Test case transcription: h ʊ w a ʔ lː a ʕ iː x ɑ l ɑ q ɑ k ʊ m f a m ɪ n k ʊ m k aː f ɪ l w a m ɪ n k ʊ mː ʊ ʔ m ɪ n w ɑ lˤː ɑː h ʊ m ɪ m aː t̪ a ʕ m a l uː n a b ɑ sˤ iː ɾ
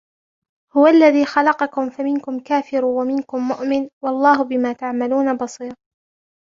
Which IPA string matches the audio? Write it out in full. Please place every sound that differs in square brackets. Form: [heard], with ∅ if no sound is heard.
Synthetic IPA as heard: h ʊ w a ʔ lː a [ð] iː x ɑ l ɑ q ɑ k ʊ m f a m ɪ n k ʊ m k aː f ɪ [ɾ] w a m ɪ n k ʊ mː ʊ ʔ m ɪ n w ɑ lˤː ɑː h ʊ [b] ɪ m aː t̪ a ʕ m a l uː n a b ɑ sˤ iː ɾ